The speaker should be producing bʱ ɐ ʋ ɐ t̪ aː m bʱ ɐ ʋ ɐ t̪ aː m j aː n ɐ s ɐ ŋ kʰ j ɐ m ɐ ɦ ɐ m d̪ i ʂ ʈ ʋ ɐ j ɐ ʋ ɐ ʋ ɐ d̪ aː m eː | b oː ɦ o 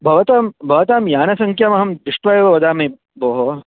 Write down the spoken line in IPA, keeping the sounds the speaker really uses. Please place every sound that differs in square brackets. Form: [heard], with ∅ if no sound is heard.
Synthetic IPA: bʱ ɐ ʋ ɐ t̪ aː m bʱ ɐ ʋ ɐ t̪ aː m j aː n ɐ s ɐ ŋ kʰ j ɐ m ɐ ɦ ɐ m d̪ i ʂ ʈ ʋ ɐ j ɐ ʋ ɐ ʋ ɐ d̪ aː m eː | b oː ɦ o

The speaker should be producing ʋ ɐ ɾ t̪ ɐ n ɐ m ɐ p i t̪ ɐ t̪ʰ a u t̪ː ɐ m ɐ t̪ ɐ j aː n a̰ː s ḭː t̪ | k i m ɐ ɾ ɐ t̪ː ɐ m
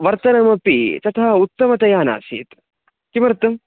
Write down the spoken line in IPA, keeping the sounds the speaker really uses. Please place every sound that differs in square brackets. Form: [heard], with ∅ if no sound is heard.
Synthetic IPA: ʋ ɐ ɾ t̪ ɐ n ɐ m ɐ p i t̪ ɐ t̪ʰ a u t̪ː ɐ m ɐ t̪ ɐ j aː n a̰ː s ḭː t̪ | k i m ɐ ɾ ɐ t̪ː ɐ m

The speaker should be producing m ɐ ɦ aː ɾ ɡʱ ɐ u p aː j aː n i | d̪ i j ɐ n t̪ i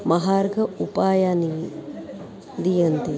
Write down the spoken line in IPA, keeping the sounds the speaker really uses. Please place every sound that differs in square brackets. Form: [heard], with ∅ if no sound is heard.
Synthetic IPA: m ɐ ɦ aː ɾ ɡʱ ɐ u p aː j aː n i | d̪ i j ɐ n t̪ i

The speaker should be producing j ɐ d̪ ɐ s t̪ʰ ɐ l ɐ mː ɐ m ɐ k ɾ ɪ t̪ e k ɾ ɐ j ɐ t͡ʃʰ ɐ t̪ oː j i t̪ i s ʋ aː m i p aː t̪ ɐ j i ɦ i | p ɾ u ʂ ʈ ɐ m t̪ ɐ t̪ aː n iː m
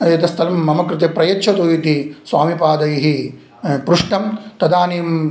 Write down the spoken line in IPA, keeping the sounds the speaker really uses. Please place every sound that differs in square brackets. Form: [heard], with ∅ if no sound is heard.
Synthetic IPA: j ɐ [t̪] ɐ s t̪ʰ ɐ l ɐ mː ɐ m ɐ k ɾ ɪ t̪ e [p] ɾ ɐ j ɐ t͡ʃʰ ɐ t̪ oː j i t̪ i s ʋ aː m i p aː [d̪] ɐ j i ɦ i | p ɾ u ʂ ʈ ɐ m t̪ ɐ [d̪] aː n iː m

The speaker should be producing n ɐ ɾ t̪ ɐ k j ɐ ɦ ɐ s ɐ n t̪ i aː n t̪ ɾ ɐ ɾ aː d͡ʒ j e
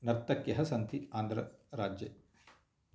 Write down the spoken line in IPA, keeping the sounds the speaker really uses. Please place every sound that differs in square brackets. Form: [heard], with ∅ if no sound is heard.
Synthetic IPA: n ɐ ɾ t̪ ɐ k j ɐ ɦ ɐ s ɐ n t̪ i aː n [d̪] ɾ ɐ ɾ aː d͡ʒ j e

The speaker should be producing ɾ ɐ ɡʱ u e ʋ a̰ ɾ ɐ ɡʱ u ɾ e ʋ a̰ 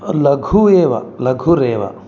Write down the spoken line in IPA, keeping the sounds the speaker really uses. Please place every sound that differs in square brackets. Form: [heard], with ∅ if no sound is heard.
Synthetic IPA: [l] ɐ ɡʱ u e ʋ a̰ [l] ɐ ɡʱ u ɾ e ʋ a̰

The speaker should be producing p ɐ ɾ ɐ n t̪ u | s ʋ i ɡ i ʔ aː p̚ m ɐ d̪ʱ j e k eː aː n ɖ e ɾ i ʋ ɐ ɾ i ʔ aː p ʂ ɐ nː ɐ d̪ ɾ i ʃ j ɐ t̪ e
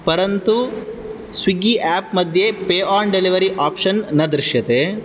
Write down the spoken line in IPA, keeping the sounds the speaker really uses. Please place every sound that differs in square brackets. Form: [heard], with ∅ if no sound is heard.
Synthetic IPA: p ɐ ɾ ɐ n t̪ u | s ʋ i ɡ i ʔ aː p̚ m ɐ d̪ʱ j e [p] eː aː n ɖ e [l] i ʋ ɐ ɾ i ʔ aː p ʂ ɐ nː ɐ d̪ ɾ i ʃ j ɐ t̪ e

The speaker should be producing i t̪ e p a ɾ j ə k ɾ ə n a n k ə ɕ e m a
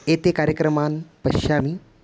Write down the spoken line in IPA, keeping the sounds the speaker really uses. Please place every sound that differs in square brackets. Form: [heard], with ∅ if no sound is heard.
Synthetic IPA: [e] t̪ e [k] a ɾ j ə k ɾ ə [m] a n [p] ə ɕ [a] m [i]

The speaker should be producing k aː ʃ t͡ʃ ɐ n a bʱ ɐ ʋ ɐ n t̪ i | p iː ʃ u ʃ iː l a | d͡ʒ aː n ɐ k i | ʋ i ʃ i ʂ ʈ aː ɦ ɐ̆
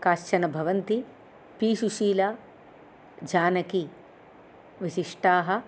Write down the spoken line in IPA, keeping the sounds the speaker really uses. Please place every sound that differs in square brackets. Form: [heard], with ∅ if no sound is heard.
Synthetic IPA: k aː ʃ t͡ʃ ɐ n [ɐ] bʱ ɐ ʋ ɐ n t̪ i | p iː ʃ u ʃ iː l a | d͡ʒ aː n ɐ k i | ʋ i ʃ i ʂ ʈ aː ɦ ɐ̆

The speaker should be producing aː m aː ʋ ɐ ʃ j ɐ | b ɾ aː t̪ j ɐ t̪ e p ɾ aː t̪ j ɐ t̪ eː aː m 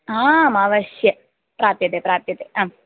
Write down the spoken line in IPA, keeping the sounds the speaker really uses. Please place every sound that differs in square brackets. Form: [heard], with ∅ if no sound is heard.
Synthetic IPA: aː m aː ʋ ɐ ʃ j ɐ | [p] ɾ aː t̪ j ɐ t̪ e p ɾ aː t̪ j ɐ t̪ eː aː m

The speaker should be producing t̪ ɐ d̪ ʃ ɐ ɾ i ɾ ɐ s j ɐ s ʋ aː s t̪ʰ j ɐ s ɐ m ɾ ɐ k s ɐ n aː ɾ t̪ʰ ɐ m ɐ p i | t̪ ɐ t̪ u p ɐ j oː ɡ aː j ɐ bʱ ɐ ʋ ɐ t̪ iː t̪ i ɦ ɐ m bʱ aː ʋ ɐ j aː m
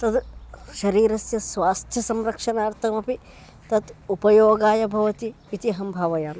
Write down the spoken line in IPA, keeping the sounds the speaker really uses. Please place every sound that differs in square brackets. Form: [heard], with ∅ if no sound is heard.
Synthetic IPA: t̪ ɐ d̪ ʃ ɐ ɾ [iː] ɾ ɐ s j ɐ s ʋ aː s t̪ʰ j ɐ s ɐ m ɾ ɐ k [ʂ] ɐ n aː ɾ t̪ʰ ɐ m ɐ p i | t̪ ɐ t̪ u p ɐ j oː ɡ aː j ɐ bʱ ɐ ʋ ɐ t̪ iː t̪ i ɦ ɐ m bʱ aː ʋ ɐ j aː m

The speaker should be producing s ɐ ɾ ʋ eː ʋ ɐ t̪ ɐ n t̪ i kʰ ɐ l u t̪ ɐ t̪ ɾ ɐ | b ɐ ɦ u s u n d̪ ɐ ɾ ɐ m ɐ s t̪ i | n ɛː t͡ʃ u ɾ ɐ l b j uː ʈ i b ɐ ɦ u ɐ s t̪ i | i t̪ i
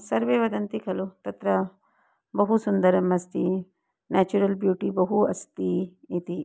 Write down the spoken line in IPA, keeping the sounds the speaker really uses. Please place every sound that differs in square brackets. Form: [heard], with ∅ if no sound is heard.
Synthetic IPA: s ɐ ɾ ʋ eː ʋ ɐ [d̪] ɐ n t̪ i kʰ ɐ l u t̪ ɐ t̪ ɾ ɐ | b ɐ ɦ u s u n d̪ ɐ ɾ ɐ m ɐ s t̪ i | n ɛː t͡ʃ u ɾ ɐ l b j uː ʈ i b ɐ ɦ u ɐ s t̪ i | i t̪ i

